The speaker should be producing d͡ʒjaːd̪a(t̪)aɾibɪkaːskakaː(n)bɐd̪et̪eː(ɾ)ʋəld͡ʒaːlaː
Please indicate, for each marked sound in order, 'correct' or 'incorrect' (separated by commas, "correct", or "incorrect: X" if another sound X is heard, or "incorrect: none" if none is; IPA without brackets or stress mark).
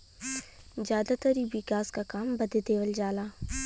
correct, incorrect: m, incorrect: none